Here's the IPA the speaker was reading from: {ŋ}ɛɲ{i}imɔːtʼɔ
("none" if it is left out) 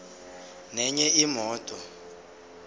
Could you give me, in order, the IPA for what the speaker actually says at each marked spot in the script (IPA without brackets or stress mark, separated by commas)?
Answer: n, ɛ